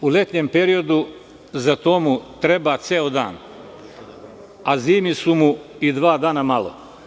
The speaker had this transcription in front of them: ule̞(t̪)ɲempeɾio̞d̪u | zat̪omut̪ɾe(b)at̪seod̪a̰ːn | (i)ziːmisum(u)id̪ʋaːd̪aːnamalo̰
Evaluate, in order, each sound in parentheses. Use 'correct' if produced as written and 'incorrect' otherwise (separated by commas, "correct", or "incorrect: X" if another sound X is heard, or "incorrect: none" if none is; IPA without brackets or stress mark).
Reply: correct, correct, incorrect: a, correct